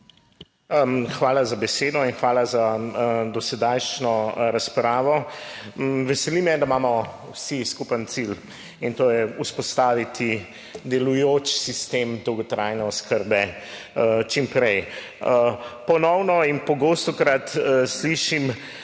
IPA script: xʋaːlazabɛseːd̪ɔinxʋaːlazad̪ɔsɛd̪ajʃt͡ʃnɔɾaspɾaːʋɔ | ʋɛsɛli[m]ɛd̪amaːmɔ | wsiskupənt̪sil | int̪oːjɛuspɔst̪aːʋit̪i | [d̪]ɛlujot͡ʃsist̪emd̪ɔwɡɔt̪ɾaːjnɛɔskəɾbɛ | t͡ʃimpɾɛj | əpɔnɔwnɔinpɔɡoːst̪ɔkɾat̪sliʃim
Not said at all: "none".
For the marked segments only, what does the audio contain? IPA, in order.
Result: m, d̪

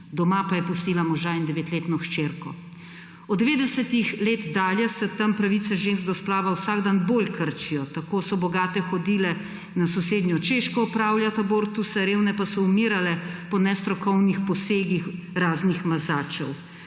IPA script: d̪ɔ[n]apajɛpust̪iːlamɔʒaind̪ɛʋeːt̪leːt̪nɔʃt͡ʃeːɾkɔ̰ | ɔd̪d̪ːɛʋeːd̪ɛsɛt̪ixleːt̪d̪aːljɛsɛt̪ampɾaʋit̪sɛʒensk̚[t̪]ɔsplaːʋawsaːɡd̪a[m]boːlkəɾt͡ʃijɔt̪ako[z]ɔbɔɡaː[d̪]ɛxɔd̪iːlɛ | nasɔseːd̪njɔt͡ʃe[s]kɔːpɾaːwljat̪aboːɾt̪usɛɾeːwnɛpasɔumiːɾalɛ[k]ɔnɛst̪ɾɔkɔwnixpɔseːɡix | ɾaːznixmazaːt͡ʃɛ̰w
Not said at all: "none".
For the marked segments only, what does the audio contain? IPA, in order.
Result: m, d̪, n, s, t̪, ʃ, p

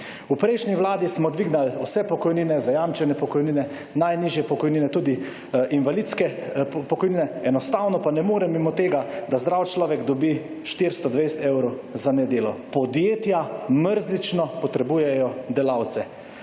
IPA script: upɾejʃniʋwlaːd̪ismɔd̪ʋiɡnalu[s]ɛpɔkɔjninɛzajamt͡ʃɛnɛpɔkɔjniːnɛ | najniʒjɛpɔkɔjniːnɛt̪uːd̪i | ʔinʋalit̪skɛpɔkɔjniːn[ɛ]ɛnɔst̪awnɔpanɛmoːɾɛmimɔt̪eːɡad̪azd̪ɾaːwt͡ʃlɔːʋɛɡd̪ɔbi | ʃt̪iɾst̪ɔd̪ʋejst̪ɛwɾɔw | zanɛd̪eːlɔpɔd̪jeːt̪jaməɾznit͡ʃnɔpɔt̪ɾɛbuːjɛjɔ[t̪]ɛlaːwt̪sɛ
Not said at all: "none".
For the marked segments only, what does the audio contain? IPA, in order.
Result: s, ɛ, d̪

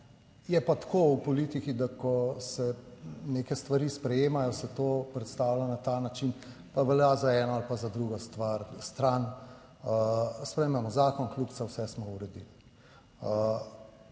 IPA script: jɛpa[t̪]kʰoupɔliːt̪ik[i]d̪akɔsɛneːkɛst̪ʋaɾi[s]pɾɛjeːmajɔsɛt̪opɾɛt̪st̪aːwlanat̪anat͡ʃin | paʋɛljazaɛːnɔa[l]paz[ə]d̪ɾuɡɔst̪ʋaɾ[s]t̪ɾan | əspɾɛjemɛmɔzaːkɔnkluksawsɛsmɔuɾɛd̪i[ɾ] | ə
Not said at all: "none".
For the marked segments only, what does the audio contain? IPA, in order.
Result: t̪, i, s, l, a, s, l

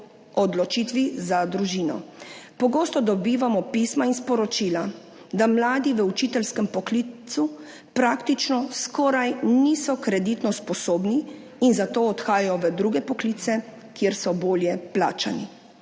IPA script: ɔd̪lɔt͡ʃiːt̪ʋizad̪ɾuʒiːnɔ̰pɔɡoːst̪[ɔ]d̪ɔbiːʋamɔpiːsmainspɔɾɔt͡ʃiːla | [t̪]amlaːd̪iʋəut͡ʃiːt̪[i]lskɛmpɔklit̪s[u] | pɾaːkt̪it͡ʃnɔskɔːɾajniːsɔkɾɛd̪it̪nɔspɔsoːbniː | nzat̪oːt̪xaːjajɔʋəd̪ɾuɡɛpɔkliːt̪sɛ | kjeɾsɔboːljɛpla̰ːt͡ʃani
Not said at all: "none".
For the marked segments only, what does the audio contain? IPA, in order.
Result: ɔ, d̪, ɛ, u

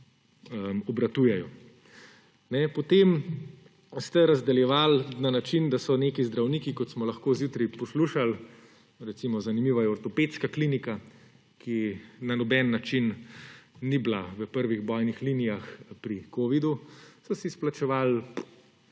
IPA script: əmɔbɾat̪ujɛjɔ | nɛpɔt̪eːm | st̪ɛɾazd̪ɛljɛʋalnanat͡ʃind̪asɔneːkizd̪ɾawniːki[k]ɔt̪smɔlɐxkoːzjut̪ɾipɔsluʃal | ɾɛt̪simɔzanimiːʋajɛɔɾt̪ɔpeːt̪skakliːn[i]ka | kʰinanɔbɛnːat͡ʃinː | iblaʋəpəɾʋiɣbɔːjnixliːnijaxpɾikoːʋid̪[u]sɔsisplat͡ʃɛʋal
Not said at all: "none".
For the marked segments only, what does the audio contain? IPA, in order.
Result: k, i, u

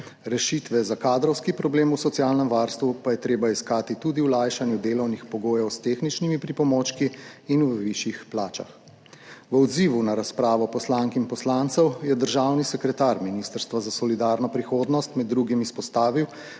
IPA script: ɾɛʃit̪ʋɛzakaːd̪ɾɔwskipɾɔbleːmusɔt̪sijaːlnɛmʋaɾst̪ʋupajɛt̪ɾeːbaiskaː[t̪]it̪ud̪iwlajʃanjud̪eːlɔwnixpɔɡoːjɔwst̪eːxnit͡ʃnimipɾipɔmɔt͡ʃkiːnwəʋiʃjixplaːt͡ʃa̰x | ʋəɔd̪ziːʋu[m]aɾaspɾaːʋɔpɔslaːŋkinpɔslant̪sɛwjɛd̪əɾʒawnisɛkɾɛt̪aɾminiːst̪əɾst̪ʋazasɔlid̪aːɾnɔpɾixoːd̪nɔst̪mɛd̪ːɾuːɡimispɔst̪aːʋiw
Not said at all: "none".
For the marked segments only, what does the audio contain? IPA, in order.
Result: t̪, n

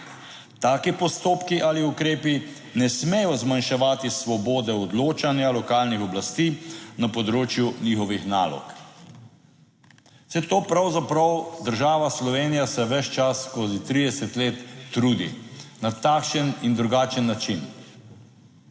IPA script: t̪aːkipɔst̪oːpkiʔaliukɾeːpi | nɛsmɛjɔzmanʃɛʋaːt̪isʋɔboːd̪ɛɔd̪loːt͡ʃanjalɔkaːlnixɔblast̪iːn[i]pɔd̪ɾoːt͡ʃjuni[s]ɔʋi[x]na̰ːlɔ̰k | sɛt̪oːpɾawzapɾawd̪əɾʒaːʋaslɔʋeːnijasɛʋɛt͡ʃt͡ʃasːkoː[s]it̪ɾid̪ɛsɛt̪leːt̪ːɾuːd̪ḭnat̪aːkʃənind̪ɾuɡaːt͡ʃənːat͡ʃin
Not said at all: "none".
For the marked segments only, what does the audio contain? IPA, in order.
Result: a, x, x, z

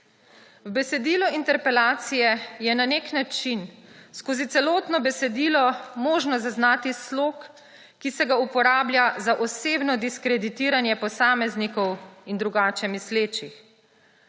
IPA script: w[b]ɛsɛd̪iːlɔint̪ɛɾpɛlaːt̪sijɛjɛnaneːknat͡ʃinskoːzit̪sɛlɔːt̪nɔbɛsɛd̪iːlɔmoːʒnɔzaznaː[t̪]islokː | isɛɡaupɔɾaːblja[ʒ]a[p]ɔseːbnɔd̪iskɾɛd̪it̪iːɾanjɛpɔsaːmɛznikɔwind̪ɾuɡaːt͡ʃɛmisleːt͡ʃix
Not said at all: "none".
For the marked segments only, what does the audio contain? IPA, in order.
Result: b, t̪, z, ʔ

